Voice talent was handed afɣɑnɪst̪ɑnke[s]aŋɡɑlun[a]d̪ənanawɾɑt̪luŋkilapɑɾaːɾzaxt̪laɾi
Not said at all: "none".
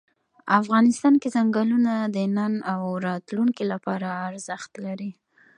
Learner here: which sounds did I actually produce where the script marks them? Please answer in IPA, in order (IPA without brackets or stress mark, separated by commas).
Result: z, a